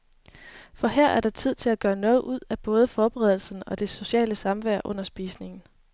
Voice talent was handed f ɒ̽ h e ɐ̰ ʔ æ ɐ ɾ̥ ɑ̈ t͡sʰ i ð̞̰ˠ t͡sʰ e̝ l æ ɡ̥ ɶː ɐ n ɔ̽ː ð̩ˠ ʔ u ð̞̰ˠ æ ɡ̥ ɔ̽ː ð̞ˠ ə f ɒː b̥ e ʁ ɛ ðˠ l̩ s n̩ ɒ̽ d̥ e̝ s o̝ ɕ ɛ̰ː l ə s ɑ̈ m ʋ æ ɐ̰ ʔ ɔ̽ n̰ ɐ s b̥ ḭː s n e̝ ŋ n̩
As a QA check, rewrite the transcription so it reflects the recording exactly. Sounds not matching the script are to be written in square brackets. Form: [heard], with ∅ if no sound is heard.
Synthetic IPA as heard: f ɒ̽ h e ɐ̰ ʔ æ ɐ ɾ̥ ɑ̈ t͡sʰ i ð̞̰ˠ t͡sʰ e̝ l æ ɡ̥ ɶː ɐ n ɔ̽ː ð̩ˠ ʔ u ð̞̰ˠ æ [b̥] ɔ̽ː ð̞ˠ ə f ɒː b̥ e ʁ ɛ ðˠ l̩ s n̩ ɒ̽ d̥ e̝ s o̝ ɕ ɛ̰ː l ə s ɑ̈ m ʋ æ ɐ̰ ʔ ɔ̽ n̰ ɐ s b̥ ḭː s n e̝ ŋ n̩

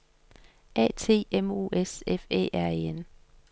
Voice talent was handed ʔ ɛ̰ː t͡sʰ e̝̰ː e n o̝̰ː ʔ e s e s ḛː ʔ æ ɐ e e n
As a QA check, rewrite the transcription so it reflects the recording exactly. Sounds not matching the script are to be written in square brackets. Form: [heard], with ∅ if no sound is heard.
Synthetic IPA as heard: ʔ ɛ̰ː t͡sʰ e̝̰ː e [m] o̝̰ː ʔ e s e [f] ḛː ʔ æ ɐ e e n

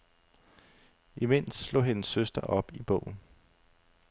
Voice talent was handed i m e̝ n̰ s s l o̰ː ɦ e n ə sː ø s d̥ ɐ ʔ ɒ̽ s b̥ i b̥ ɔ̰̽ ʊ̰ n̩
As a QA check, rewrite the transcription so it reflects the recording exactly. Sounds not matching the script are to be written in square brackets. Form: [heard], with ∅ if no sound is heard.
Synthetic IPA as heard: i m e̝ n̰ s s l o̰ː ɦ e n ə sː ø s d̥ ɐ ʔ ɒ̽ [∅] b̥ i b̥ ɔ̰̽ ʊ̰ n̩

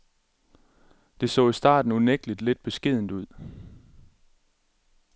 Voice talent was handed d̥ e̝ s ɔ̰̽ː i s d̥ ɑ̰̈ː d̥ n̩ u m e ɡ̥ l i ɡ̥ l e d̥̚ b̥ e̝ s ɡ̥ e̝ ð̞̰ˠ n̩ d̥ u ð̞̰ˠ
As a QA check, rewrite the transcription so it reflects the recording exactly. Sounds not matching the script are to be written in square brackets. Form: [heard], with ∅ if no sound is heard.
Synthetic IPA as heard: d̥ e̝ s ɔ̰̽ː i s d̥ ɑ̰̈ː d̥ n̩ u [n] e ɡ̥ l i [d̥] l e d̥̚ b̥ e̝ s ɡ̥ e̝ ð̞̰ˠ n̩ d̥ u ð̞̰ˠ

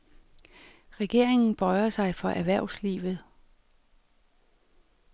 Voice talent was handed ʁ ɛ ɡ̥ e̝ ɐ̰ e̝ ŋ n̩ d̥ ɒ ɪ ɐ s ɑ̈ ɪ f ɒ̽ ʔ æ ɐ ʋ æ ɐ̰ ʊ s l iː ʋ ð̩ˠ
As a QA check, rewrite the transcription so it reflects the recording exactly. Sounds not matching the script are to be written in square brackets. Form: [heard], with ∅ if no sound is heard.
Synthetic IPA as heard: ʁ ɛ ɡ̥ e̝ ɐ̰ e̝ ŋ n̩ [b̥] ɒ ɪ ɐ s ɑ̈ ɪ f ɒ̽ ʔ æ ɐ ʋ æ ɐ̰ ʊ s l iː ʋ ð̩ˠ

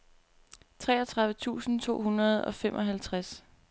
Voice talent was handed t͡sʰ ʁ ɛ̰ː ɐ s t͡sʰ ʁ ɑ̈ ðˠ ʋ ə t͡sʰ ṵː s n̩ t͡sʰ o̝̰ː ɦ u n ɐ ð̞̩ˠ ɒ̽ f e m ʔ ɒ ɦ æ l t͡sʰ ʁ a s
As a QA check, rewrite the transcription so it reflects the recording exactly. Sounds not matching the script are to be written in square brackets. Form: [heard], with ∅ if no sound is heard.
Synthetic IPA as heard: t͡sʰ ʁ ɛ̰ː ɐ [∅] t͡sʰ ʁ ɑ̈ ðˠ ʋ ə t͡sʰ ṵː s n̩ t͡sʰ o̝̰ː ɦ u n ɐ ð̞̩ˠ ɒ̽ f e m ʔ ɒ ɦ æ l t͡sʰ ʁ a s

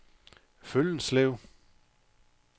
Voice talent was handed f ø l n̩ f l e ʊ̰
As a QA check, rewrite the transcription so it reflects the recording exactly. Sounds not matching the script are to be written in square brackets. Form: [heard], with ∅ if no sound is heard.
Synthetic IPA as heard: f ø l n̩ [s] l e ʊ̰

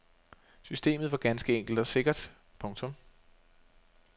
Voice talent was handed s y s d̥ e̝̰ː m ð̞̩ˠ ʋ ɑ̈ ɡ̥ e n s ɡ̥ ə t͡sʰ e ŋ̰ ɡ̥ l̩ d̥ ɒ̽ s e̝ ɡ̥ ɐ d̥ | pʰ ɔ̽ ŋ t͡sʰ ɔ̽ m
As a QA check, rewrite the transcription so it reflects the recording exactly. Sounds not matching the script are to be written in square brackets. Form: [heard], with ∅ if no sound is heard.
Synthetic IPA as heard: s y s d̥ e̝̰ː m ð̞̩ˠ ʋ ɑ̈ ɡ̥ [æ] n s ɡ̥ ə [∅] e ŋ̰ ɡ̥ l̩ d̥ ɒ̽ s e̝ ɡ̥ ɐ d̥ | pʰ ɔ̽ ŋ t͡sʰ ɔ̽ m

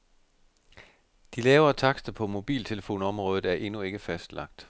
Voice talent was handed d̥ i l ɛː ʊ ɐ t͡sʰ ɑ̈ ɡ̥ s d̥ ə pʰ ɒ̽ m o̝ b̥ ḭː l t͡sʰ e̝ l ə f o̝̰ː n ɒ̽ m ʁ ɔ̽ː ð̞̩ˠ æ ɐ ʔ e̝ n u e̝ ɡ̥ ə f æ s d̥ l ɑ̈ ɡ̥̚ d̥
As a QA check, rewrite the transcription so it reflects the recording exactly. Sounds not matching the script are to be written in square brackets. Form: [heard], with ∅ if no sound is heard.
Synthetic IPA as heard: d̥ i l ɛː ʊ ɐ t͡sʰ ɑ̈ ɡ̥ s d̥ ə pʰ ɒ̽ m o̝ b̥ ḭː l t͡sʰ e̝ l ə f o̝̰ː n ɒ̽ m ʁ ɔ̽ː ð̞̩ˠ æ ɐ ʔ e̝ n u e̝ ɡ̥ ə f æ s d̥ l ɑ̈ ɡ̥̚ d̥

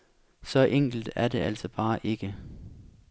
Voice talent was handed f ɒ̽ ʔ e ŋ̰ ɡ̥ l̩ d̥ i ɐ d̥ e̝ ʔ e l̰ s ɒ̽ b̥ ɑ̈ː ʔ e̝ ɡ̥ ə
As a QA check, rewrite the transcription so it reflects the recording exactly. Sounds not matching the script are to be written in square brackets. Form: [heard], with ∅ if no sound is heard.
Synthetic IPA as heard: [s] ɒ̽ ʔ e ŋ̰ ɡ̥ l̩ d̥ [æ] ɐ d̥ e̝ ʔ [æ] l̰ s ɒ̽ b̥ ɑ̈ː ʔ e̝ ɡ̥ ə

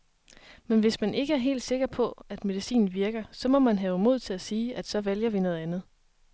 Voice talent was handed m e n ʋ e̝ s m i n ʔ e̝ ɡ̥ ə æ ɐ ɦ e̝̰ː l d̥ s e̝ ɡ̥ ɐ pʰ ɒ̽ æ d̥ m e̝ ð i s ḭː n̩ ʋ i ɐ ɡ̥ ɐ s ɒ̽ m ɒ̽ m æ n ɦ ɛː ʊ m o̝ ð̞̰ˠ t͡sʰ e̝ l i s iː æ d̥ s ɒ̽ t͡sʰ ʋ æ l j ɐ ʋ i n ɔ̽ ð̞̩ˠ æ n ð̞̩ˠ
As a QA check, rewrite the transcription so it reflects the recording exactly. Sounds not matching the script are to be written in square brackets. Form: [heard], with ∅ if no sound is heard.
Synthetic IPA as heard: m e n ʋ e̝ s m [æ] n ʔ e̝ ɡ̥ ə æ ɐ ɦ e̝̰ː l d̥ s e̝ ɡ̥ ɐ pʰ ɒ̽ æ d̥ m e̝ ð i s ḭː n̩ ʋ i ɐ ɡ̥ ɐ s ɒ̽ m ɒ̽ m æ n ɦ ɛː ʊ m o̝ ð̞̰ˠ t͡sʰ e̝ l [æ] s iː æ d̥ s ɒ̽ [∅] ʋ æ l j ɐ ʋ i n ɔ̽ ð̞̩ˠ æ n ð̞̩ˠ

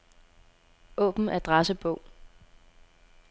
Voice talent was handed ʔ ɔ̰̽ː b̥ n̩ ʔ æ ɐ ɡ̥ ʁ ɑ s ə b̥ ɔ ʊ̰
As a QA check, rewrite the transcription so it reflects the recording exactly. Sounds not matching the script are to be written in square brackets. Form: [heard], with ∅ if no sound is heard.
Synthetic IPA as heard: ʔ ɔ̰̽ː b̥ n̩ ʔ æ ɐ [d̥] ʁ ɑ s ə b̥ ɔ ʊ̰

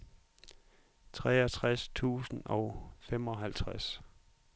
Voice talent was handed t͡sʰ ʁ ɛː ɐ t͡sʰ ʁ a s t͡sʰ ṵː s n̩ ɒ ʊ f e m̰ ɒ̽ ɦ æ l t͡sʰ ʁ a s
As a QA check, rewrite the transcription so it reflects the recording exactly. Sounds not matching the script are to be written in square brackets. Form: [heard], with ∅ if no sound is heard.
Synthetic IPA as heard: t͡sʰ ʁ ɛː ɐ t͡sʰ ʁ a s t͡sʰ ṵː s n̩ ɒ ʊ f e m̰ ɒ̽ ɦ æ l t͡sʰ ʁ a s

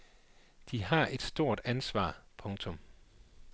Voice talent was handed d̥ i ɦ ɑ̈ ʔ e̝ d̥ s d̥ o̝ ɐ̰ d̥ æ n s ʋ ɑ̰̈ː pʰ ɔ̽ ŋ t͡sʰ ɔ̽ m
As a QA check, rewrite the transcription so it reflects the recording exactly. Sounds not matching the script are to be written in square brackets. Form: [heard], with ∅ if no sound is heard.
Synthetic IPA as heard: d̥ i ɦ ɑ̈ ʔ e̝ d̥ s d̥ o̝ ɐ̰ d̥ æ n s ʋ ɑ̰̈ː pʰ ɔ̽ ŋ t͡sʰ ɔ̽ m

